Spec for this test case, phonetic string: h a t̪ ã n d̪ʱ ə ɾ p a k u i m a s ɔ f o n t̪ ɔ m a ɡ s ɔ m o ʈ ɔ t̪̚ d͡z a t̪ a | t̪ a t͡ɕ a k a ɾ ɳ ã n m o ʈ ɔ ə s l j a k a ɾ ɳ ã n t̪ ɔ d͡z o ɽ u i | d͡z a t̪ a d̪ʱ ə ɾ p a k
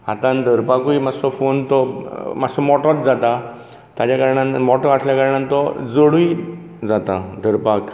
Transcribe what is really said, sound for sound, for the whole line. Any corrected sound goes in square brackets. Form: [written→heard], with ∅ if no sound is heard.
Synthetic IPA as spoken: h a t̪ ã n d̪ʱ ə ɾ p a k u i m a s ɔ f o n t̪ ɔ m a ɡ s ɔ m [o→ɔ] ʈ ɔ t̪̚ d͡z a t̪ a | t̪ a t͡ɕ a k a ɾ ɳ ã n m [o→ɔ] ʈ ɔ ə s l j a k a ɾ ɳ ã n t̪ ɔ d͡z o ɽ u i | d͡z a t̪ a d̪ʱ ə ɾ p a k